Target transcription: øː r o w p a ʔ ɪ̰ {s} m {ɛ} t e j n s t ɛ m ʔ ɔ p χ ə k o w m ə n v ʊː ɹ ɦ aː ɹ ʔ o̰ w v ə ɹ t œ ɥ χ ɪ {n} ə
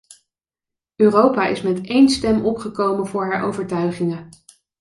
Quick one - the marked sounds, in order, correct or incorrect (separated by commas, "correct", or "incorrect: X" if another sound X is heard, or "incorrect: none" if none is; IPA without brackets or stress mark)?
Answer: correct, correct, incorrect: ŋ